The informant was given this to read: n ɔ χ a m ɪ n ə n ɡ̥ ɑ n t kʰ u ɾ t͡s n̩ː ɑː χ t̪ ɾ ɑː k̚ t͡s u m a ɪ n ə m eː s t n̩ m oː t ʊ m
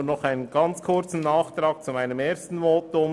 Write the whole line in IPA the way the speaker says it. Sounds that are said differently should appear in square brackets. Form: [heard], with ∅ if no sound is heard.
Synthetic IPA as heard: n ɔ χ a [∅] ɪ n ə n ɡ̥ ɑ n [t͡s] kʰ [ʊ] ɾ t͡s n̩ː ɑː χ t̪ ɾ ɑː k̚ t͡s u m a ɪ n ə m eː s t n̩ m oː t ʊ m